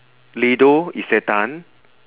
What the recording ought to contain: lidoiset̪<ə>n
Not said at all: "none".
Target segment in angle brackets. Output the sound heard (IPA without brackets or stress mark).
a